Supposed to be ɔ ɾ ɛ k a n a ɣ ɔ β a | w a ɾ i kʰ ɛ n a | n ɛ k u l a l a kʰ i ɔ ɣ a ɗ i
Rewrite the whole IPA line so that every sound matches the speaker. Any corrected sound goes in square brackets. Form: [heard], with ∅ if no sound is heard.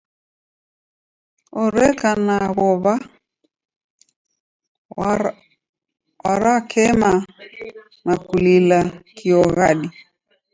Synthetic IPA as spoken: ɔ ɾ ɛ k a n a ɣ ɔ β a | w a ɾ [a] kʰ ɛ [m] a | n [a] k u l [i] l a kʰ i ɔ ɣ a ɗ i

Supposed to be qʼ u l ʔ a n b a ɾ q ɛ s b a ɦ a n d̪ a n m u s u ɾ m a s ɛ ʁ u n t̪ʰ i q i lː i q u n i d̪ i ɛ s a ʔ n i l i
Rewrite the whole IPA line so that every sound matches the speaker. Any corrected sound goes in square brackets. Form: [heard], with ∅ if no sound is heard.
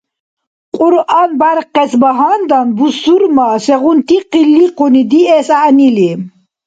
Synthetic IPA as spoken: qʼ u [ɾ] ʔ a n b a ɾ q ɛ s b a ɦ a n d̪ a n [b] u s u ɾ m a s ɛ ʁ u n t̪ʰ i q i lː i q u n i d̪ i ɛ s a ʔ n i l i

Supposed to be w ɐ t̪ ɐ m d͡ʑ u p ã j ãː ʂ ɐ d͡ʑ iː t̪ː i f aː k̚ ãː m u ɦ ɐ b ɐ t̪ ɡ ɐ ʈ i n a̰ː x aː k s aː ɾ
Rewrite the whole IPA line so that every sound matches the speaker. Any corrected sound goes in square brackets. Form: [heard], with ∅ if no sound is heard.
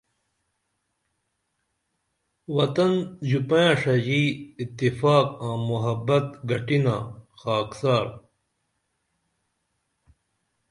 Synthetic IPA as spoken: w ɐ t̪ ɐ [n] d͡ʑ u p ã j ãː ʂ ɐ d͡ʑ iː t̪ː i f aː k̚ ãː m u ɦ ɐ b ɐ t̪ ɡ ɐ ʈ i n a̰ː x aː k s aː ɾ

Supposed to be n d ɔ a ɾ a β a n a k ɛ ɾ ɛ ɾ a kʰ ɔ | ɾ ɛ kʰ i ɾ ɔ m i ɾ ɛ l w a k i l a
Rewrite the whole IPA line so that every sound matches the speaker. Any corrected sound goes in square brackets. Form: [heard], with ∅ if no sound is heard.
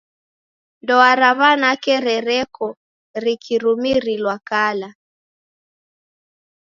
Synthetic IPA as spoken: n d ɔ a ɾ a β a n a k ɛ ɾ ɛ ɾ [ɛ] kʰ ɔ | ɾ [i] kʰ i ɾ [u] m i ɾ [i] l w a k [a] l a

